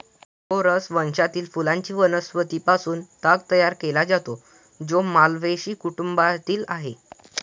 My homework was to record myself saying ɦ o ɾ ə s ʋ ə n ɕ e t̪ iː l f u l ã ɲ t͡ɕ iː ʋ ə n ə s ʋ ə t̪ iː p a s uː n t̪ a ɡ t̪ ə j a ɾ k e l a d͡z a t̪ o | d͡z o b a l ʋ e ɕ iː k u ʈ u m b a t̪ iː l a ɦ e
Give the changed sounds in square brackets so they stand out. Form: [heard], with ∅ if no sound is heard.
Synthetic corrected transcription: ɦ o ɾ ə s ʋ ə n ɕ [a] t̪ iː l f u l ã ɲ t͡ɕ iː ʋ ə n ə s ʋ ə t̪ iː p a s uː n t̪ a ɡ t̪ ə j a ɾ k e l a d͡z a t̪ o | d͡z o [m] a l ʋ e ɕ iː k u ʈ u m b a t̪ iː l a ɦ e